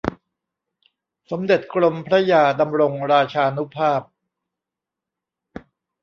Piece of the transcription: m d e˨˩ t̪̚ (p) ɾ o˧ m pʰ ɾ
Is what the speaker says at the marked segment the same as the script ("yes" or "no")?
no